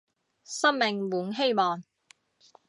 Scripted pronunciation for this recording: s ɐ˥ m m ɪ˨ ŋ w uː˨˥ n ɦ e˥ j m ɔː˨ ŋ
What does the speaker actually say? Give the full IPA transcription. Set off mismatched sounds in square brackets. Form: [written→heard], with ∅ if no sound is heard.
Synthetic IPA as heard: s ɐ˥ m m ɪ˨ ŋ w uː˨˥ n ɦ e˥ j m ɔː˨ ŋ